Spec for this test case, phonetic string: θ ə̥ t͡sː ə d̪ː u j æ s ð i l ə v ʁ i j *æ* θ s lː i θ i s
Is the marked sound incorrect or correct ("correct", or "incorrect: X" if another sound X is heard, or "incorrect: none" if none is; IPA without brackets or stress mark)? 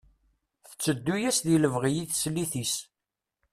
incorrect: i